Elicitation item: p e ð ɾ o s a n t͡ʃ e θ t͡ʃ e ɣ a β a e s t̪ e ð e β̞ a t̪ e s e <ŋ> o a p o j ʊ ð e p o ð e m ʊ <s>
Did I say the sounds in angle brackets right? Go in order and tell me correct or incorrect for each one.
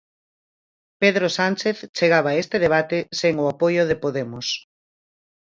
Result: correct, correct

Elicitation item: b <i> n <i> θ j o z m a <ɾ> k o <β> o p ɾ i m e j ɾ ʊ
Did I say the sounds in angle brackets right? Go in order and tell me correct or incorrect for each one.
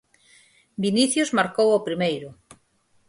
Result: correct, correct, correct, incorrect: w

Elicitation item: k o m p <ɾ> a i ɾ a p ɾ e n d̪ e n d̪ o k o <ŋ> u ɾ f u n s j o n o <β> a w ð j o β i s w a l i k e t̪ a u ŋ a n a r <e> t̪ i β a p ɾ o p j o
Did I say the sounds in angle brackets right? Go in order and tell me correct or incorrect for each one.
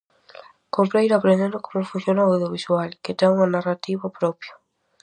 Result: correct, incorrect: m, incorrect: none, incorrect: a

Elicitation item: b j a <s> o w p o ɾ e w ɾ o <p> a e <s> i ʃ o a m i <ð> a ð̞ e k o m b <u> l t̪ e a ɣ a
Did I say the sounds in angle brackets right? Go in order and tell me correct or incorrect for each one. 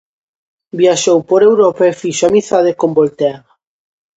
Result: incorrect: ʃ, correct, incorrect: f, incorrect: θ, incorrect: o

